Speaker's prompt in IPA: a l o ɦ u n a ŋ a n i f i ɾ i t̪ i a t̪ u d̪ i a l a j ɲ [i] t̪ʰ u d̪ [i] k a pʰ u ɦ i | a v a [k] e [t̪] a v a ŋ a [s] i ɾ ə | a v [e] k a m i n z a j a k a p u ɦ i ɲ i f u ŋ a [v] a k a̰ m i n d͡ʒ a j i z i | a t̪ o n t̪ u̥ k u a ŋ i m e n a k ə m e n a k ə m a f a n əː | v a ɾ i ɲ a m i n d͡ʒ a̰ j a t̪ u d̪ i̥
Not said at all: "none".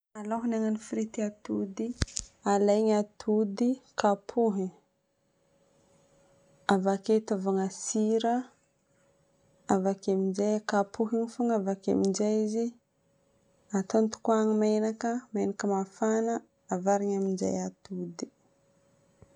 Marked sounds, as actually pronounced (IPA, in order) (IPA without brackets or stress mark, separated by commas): a, i, k, t̪, s, a, v